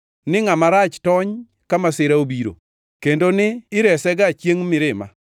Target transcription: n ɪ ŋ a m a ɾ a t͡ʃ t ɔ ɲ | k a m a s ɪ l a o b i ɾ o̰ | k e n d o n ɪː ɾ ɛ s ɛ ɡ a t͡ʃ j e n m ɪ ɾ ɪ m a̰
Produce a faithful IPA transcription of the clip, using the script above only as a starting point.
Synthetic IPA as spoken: n ɪ ŋ a m a ɾ a t͡ʃ t ɔ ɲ | k a m a s ɪ ɾ a o b i ɾ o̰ | k e n d o n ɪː ɾ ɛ s ɛ ɡ a t͡ʃ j e ŋ m ɪ ɾ ɪ m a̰